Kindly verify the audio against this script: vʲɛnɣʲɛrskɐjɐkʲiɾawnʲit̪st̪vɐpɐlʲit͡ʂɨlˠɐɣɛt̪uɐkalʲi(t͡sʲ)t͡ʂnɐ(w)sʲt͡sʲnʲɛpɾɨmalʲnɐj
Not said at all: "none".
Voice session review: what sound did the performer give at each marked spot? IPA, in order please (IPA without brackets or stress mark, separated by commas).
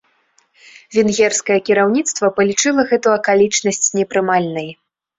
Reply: none, none